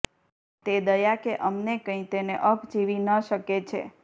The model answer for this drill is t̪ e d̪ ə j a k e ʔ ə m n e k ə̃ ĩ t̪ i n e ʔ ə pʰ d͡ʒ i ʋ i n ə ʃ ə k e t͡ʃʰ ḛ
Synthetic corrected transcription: t̪ e d̪ ə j a k e ʔ ə m n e k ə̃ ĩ t̪ e n e ʔ ə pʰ d͡ʒ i ʋ i n ə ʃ ə k e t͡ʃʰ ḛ